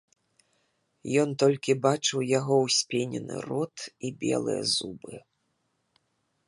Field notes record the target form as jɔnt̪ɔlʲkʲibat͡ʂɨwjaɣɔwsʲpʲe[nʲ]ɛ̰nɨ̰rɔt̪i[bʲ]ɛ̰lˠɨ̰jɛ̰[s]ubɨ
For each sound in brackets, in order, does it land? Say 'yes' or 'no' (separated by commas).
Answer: yes, yes, no